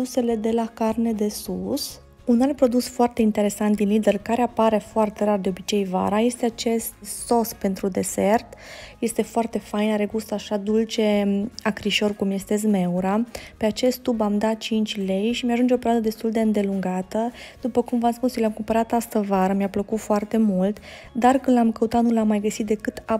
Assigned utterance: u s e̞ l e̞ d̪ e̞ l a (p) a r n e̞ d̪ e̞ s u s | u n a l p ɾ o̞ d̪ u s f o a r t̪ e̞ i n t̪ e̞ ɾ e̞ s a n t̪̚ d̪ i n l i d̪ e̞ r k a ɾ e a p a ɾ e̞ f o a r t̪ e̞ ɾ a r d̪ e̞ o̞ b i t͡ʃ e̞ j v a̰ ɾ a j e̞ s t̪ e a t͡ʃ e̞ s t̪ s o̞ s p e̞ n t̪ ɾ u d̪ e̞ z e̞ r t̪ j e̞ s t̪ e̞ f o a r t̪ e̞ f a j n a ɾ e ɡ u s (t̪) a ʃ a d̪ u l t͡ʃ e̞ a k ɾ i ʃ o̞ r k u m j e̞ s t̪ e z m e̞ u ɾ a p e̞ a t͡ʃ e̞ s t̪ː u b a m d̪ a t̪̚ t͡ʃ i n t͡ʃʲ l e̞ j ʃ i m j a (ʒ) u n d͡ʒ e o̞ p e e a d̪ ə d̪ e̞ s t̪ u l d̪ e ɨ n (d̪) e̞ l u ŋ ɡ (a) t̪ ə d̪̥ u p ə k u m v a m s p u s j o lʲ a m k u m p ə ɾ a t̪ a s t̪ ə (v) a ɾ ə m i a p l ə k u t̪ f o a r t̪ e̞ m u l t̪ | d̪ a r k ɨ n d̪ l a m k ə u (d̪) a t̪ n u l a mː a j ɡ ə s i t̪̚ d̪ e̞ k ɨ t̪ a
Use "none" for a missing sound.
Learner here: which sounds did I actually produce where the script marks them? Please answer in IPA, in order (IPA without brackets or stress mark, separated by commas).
k, t̪, ʒ, d̪, a, v, t̪